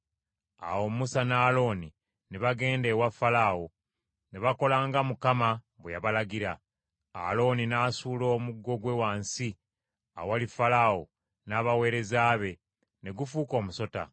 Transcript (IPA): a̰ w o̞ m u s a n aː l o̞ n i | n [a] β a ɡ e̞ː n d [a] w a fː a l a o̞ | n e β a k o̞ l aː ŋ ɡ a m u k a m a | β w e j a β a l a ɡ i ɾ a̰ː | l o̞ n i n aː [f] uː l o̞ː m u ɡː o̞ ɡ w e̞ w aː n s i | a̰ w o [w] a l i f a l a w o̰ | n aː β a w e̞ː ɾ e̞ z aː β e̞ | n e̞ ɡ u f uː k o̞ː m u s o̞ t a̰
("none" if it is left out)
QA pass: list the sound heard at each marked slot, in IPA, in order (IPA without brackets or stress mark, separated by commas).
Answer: e, e, s, w